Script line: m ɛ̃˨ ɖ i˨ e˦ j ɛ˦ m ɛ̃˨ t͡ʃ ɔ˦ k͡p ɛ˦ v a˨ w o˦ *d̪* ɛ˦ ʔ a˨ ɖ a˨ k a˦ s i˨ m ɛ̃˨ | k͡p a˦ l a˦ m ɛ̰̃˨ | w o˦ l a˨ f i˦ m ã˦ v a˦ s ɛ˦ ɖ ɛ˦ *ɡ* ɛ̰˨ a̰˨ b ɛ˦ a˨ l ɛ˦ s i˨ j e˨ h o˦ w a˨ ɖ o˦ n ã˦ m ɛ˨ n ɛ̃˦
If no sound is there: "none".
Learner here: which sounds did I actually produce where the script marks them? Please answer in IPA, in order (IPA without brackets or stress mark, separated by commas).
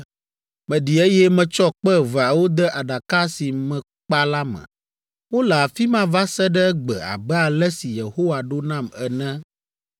d̪, ɡ͡b